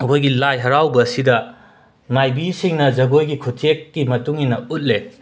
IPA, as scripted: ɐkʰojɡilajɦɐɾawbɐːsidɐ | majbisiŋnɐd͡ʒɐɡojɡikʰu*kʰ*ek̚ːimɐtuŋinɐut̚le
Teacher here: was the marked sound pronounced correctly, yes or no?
no